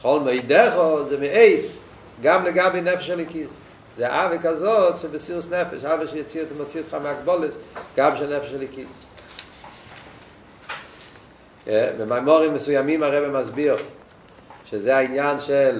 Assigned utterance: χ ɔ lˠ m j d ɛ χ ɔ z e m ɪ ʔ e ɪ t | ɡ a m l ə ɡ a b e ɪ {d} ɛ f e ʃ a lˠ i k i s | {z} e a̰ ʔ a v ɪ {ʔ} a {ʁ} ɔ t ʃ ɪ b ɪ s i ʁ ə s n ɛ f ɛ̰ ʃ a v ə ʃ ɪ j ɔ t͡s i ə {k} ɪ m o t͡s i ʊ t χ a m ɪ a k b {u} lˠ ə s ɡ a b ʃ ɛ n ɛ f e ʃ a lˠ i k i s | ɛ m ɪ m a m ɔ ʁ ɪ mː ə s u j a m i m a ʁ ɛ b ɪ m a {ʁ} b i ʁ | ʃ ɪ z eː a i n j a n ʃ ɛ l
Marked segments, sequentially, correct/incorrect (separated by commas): incorrect, correct, incorrect, incorrect, incorrect, incorrect, incorrect